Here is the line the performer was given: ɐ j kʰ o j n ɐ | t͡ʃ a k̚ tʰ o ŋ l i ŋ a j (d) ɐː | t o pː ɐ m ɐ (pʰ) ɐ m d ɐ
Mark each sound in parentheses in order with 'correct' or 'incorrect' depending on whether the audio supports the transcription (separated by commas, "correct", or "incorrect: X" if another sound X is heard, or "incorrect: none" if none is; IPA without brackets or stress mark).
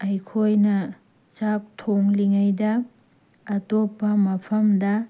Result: correct, correct